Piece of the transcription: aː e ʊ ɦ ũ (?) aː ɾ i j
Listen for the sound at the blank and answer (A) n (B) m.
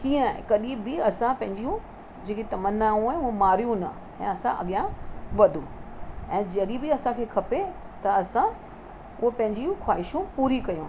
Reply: B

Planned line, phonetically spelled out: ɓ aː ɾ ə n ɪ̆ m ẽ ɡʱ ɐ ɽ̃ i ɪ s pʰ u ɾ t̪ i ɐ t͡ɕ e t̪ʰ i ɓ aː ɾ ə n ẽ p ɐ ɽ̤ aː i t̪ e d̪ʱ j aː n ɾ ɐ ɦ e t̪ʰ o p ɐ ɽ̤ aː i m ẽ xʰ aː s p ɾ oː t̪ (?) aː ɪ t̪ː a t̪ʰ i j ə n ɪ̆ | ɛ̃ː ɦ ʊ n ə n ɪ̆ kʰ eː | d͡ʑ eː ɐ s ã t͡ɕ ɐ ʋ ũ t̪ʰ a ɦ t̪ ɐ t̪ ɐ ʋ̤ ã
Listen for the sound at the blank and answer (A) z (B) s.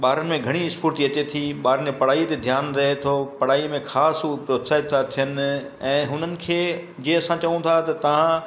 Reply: B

